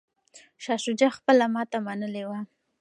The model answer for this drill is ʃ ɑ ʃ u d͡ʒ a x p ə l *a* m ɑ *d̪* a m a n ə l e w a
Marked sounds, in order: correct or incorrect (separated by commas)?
correct, incorrect